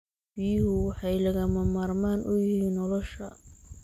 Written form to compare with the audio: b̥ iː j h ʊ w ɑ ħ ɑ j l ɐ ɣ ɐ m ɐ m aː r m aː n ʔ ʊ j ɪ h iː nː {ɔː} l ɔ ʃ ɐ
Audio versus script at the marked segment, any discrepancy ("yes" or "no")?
yes